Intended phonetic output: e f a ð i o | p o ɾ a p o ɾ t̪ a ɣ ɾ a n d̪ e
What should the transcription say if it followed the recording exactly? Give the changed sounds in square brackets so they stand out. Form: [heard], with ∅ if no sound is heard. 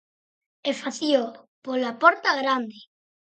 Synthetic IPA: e f a [θ] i o | p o [l] a p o ɾ t̪ a ɣ ɾ a n d̪ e